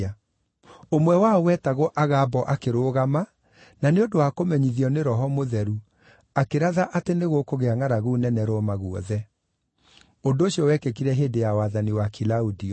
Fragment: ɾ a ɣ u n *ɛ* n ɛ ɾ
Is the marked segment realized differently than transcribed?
no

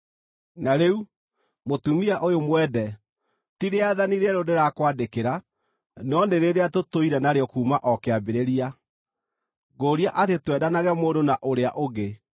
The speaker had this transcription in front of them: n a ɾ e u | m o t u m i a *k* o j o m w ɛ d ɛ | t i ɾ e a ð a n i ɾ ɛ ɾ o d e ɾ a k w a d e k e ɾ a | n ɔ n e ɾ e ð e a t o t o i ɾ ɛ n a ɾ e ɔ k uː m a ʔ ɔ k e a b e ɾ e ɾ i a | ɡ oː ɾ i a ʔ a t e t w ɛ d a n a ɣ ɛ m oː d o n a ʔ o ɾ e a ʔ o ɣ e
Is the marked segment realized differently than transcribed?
yes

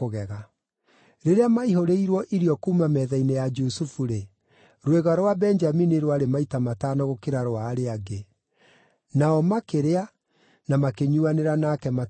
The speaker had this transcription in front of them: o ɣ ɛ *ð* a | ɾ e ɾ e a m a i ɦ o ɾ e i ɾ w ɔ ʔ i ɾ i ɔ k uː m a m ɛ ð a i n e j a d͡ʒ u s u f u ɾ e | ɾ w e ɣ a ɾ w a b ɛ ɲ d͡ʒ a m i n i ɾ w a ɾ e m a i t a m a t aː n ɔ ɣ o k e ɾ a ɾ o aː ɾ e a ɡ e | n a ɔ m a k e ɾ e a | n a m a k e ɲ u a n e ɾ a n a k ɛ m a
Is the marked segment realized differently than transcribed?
yes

